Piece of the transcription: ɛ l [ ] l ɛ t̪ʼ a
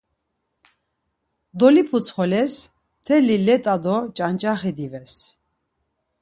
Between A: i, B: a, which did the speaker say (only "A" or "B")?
A